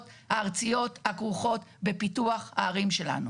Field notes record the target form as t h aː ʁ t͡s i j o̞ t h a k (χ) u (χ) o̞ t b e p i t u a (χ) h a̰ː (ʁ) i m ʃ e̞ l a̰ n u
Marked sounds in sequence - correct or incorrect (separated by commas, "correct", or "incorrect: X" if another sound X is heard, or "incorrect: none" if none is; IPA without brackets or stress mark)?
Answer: incorrect: ʁ, correct, correct, correct